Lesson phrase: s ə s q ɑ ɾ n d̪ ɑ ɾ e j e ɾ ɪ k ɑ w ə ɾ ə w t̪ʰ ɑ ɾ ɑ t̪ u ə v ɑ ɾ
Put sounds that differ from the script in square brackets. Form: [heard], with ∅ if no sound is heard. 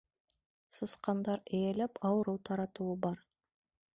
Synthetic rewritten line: s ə s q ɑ [∅] n d̪ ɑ ɾ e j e [l] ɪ [p] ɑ w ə ɾ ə w t̪ʰ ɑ ɾ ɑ t̪ u ə [b] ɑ ɾ